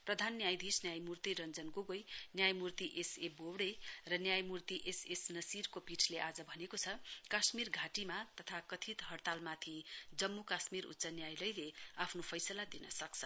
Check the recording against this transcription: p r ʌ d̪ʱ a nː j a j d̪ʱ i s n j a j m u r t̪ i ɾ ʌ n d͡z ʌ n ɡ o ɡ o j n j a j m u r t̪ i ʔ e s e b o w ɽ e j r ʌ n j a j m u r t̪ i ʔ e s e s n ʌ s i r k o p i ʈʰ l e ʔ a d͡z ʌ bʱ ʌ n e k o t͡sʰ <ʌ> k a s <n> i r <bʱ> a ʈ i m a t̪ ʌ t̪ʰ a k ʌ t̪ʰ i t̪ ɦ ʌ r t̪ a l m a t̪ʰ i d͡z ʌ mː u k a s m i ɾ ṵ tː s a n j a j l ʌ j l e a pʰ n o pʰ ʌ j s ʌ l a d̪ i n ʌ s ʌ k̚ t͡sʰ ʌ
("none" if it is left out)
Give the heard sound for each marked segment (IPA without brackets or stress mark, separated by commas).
ʌ, m, ɡʱ